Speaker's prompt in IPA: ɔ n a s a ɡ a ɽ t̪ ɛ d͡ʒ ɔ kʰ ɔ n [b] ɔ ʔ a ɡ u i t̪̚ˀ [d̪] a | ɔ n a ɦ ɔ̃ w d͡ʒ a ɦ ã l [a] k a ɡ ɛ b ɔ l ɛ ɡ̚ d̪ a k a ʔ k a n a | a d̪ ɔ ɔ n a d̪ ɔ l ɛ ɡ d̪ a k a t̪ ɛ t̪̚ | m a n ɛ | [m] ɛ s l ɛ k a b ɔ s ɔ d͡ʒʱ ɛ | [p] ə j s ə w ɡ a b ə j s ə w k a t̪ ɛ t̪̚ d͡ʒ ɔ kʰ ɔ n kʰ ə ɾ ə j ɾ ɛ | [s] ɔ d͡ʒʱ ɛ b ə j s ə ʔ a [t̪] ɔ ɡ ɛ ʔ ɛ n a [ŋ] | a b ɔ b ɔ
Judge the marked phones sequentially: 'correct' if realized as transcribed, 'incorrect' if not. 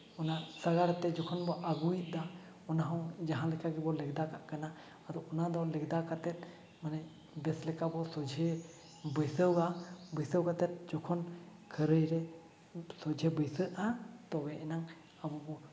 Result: correct, correct, incorrect, incorrect, incorrect, correct, correct, correct

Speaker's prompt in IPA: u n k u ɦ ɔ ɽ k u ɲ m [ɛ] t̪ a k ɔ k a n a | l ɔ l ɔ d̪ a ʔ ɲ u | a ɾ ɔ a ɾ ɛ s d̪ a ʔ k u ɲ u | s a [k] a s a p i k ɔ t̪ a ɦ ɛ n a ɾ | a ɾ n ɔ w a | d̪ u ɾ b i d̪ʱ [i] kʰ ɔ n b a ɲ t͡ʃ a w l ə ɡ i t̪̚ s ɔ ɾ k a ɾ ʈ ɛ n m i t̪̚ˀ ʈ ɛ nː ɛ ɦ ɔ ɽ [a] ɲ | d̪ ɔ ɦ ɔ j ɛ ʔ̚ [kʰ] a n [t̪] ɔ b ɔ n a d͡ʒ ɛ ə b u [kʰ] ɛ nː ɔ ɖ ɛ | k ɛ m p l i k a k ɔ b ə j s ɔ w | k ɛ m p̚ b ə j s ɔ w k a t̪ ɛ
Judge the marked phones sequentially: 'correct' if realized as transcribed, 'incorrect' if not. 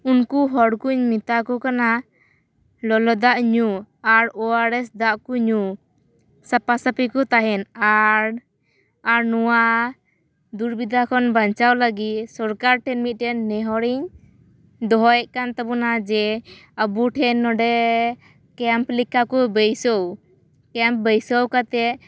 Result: incorrect, incorrect, incorrect, incorrect, incorrect, correct, incorrect

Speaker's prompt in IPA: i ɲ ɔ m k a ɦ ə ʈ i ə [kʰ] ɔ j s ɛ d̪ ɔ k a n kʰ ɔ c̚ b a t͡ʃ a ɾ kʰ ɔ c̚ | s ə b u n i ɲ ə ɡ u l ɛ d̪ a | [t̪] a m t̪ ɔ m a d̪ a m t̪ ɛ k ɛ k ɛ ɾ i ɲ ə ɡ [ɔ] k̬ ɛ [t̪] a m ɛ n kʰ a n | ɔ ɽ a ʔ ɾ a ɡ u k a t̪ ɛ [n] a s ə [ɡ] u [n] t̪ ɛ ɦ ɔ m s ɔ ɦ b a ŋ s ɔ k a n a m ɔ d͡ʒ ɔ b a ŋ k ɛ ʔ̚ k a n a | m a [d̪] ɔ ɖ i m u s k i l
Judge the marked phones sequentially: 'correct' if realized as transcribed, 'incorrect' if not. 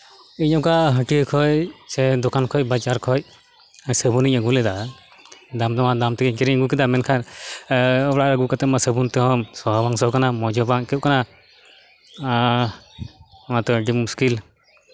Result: correct, incorrect, incorrect, incorrect, incorrect, incorrect, correct, incorrect

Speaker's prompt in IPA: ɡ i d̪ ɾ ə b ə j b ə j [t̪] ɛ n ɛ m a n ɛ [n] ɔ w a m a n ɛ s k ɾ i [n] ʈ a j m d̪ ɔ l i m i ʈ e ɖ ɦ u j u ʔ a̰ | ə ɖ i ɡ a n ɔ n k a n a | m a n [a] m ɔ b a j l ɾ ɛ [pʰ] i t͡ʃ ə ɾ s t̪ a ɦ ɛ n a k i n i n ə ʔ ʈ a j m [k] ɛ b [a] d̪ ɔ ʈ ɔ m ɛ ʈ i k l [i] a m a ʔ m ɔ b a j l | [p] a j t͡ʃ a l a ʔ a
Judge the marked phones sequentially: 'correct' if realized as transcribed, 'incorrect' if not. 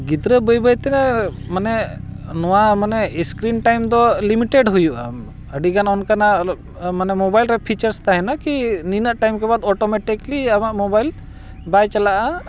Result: correct, correct, correct, incorrect, correct, correct, correct, correct, incorrect

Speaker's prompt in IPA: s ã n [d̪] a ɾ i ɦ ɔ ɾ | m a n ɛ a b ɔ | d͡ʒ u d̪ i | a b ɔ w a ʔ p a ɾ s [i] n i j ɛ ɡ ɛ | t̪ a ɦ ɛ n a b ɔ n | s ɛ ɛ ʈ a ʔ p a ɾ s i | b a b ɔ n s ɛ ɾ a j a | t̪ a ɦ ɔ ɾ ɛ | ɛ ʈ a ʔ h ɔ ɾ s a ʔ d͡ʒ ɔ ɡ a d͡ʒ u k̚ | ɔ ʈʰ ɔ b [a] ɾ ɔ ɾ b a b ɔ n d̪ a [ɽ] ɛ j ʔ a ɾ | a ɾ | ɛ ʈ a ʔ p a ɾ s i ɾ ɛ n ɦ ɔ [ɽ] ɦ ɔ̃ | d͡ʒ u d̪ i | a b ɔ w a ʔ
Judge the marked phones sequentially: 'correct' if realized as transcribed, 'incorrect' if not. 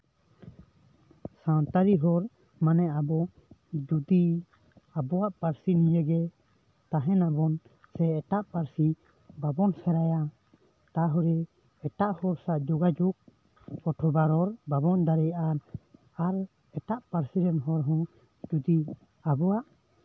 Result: incorrect, correct, correct, incorrect, incorrect

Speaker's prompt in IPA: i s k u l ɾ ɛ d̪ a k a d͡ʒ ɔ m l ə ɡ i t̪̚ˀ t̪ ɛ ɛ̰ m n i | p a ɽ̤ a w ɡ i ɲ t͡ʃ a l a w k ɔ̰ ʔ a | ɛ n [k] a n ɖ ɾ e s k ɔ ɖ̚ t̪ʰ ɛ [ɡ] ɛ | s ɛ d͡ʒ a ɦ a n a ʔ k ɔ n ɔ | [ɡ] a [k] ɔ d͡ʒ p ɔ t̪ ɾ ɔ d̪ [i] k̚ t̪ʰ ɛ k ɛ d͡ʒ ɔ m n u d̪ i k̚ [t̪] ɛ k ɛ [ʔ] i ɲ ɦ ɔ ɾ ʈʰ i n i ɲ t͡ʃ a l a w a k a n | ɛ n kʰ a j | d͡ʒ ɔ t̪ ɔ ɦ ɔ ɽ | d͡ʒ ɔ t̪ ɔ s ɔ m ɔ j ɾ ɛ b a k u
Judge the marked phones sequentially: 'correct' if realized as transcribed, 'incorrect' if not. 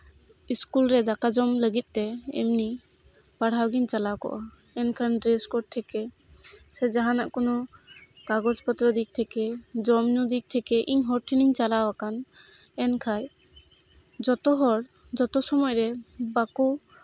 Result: incorrect, incorrect, incorrect, incorrect, correct, incorrect, correct

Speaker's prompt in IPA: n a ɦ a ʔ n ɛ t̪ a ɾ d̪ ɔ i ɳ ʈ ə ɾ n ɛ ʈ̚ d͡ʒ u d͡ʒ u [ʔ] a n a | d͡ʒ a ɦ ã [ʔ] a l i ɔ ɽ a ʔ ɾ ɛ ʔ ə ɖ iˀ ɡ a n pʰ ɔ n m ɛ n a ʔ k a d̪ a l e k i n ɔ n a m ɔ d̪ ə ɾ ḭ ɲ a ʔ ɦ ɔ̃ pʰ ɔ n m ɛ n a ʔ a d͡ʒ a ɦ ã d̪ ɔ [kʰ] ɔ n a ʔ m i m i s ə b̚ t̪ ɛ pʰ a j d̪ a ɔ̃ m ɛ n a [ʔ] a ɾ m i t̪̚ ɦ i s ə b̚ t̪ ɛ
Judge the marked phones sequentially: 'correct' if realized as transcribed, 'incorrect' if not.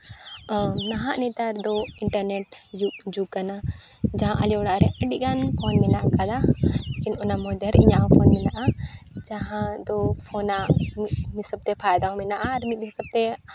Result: incorrect, correct, incorrect, correct

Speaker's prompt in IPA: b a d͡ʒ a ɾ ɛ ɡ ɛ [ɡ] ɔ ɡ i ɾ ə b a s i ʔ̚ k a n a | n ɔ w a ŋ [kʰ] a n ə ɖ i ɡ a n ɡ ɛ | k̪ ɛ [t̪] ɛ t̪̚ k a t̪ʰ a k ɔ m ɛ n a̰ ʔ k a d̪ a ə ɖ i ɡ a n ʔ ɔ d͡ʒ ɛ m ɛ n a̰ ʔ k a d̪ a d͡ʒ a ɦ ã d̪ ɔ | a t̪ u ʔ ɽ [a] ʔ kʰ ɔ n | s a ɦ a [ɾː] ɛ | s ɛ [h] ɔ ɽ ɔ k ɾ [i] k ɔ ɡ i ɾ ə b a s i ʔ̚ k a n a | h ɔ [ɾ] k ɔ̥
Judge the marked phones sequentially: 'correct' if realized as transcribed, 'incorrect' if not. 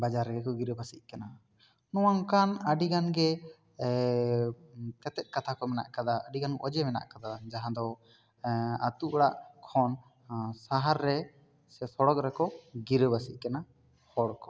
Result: incorrect, incorrect, correct, correct, correct, incorrect, incorrect, incorrect

